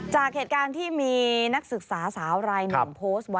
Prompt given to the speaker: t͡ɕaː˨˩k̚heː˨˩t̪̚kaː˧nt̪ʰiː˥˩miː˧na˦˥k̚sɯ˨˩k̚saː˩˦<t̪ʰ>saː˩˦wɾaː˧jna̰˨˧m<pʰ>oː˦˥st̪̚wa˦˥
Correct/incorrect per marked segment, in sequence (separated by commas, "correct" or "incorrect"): incorrect, correct